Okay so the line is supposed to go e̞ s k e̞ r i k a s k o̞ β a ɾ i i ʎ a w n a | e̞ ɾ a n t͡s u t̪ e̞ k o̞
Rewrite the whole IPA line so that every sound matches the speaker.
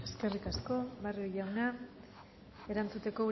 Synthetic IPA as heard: e̞ s k e̞ r i k a s k o̞ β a r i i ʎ a w n a | e̞ ɾ a n t͡s u t̪ e̞ k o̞